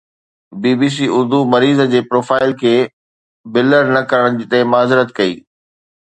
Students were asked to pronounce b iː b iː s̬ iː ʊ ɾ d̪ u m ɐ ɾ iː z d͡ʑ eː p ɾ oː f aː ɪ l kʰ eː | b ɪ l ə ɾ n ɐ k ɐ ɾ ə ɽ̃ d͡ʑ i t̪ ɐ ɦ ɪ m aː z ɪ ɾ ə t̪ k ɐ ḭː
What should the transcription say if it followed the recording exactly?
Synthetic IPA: b iː b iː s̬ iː ʊ ɾ d̪ u m ɐ ɾ iː z d͡ʑ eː p ɾ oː f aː ɪ l kʰ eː | b ɪ l ə ɾ n ɐ k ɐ ɾ ə ɽ̃ d͡ʑ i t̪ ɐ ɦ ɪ m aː z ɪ ɾ ə t̪ k ɐ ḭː

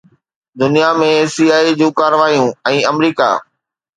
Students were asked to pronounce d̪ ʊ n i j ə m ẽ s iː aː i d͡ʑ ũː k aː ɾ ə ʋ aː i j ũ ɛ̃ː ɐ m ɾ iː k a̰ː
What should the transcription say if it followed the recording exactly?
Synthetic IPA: d̪ ʊ n i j a m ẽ s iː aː i d͡ʑ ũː k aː ɾ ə ʋ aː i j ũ ɛ̃ː ɐ m ɾ iː k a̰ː

